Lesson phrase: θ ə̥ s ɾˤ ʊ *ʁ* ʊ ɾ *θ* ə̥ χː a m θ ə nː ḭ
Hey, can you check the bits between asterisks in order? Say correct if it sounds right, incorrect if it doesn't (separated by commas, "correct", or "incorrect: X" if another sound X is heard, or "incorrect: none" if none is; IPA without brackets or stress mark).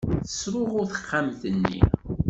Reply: correct, correct